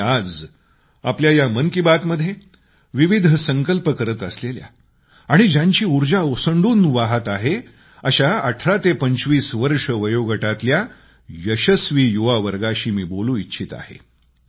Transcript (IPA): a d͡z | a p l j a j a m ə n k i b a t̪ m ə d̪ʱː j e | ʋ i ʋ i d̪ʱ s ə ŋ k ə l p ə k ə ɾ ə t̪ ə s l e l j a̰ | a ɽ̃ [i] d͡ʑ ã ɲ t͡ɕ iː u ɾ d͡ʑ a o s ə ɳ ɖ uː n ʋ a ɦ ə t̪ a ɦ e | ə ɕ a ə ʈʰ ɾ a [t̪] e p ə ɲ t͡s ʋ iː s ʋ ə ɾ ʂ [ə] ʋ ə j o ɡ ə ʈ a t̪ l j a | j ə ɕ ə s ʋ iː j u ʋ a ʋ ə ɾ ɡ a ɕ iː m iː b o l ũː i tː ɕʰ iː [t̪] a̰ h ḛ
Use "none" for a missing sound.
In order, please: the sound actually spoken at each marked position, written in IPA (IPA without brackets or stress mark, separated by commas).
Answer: i, t̪, ə, t̪